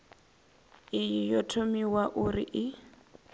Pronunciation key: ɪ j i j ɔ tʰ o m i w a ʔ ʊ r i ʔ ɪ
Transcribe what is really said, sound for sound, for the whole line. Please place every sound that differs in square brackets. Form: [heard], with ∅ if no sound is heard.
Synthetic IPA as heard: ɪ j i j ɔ tʰ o m i w a ʔ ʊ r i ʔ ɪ